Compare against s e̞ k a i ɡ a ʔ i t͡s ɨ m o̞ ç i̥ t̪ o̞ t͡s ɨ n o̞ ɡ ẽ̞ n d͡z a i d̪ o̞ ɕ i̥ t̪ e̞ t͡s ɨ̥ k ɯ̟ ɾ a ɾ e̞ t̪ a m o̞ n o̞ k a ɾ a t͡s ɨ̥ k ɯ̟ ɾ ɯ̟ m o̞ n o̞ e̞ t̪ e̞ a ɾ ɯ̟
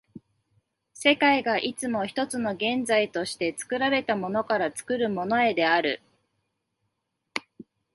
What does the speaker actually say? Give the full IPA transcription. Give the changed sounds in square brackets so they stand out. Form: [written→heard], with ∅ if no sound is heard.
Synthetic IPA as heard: s e̞ k a i ɡ a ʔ i t͡s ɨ m o̞ ç i̥ t̪ o̞ t͡s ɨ n o̞ ɡ ẽ̞ n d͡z a i [d̪→t̪] o̞ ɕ i̥ t̪ e̞ t͡s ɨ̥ k ɯ̟ ɾ a ɾ e̞ t̪ a m o̞ n o̞ k a ɾ a t͡s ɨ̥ k ɯ̟ ɾ ɯ̟ m o̞ n o̞ e̞ [t̪→d̪] e̞ a ɾ ɯ̟

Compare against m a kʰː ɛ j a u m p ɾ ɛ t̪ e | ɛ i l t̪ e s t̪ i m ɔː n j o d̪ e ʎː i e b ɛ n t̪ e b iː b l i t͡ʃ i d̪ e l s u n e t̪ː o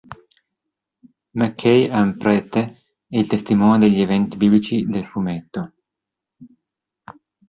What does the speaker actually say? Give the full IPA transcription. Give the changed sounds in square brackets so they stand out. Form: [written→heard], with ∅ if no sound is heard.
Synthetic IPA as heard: m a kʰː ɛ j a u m p ɾ ɛ t̪ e | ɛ i l t̪ e s t̪ i m ɔː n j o d̪ e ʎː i e [b→v] ɛ n t̪ [e→i] b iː b l i t͡ʃ i d̪ e l [s→f] u [n→m] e t̪ː o

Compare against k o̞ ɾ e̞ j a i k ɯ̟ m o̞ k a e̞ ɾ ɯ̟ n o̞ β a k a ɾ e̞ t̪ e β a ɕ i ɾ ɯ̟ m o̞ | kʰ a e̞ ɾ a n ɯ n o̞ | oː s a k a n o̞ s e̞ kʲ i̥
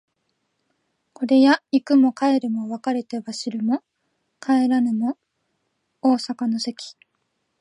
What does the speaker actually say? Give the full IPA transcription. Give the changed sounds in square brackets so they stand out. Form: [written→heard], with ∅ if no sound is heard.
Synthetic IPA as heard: k o̞ ɾ e̞ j a i k ɯ̟ m o̞ k a e̞ ɾ ɯ̟ [n→m] o̞ β a k a ɾ e̞ t̪ e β a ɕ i ɾ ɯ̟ m o̞ | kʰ a e̞ ɾ a n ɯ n o̞ | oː s a k a n o̞ s e̞ kʲ i̥

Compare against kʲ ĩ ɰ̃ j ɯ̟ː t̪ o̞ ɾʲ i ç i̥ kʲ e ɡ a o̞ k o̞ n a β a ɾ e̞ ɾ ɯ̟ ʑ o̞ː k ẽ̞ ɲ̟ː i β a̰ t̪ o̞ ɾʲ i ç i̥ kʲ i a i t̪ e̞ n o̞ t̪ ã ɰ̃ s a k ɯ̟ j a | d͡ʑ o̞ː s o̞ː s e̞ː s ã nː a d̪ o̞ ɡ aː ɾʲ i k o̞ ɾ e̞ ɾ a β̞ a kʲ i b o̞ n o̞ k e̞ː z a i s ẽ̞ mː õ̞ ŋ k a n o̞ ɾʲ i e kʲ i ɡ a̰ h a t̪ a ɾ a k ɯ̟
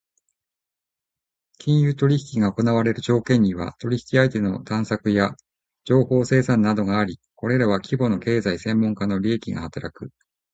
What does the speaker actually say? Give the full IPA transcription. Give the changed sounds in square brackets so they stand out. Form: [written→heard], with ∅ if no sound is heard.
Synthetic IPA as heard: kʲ ĩ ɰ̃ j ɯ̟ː t̪ o̞ ɾʲ i ç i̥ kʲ [e→i] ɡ a o̞ k o̞ n a β a ɾ e̞ ɾ ɯ̟ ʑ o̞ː k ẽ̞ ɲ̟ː i β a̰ t̪ o̞ ɾʲ i ç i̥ kʲ i a i t̪ e̞ n o̞ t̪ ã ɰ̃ s a k ɯ̟ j a | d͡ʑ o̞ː [s→h] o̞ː s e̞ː s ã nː a d̪ o̞ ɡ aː ɾʲ i k o̞ ɾ e̞ ɾ a β̞ a kʲ i b o̞ n o̞ k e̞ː z a i s ẽ̞ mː õ̞ ŋ k a n o̞ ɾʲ i e kʲ i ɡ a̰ h a t̪ a ɾ a k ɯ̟

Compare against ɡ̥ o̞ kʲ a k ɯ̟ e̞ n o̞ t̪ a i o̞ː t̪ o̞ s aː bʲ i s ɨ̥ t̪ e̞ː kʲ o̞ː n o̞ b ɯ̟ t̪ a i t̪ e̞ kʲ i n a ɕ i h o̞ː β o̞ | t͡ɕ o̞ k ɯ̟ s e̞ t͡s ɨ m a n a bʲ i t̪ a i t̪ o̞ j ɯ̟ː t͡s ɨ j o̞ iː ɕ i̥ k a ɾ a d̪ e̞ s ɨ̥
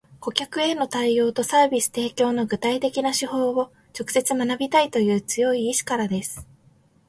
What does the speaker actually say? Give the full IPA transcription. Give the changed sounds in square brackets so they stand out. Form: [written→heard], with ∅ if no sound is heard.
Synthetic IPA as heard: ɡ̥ o̞ kʲ a k ɯ̟ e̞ n o̞ t̪ a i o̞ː t̪ o̞ s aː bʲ i s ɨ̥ t̪ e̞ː kʲ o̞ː n o̞ [b→ɡ] ɯ̟ t̪ a i t̪ e̞ kʲ i n a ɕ i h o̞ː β o̞ | t͡ɕ o̞ k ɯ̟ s e̞ t͡s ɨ m a n a bʲ i t̪ a i t̪ o̞ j ɯ̟ː t͡s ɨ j o̞ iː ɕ i̥ k a ɾ a d̪ e̞ s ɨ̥

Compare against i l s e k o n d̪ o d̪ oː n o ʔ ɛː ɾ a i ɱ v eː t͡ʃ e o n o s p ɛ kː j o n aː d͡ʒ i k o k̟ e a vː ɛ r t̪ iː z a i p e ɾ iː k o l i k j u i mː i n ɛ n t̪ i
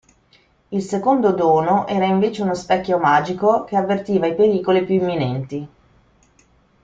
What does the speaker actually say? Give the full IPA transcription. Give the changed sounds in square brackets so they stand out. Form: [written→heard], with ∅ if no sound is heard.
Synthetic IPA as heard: i l s e k o n d̪ o d̪ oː n o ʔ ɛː ɾ a i ɱ v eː t͡ʃ e [o→u] n o s p ɛ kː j o [n→m] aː d͡ʒ i k o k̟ e a vː [ɛ→e] r t̪ iː [z→v] a i p e ɾ iː k o l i [k→p] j u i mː i n ɛ n t̪ i

